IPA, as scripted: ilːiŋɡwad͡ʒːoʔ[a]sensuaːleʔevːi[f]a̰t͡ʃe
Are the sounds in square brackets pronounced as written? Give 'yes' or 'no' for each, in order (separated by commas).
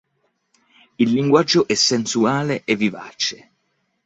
no, no